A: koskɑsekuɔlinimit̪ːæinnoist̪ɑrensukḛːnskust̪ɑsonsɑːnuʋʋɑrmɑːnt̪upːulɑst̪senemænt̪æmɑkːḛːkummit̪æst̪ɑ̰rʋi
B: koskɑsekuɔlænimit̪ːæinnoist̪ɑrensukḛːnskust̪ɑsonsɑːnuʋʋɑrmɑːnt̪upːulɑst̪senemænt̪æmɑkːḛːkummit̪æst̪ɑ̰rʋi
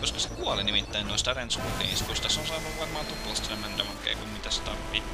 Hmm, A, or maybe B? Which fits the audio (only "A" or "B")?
A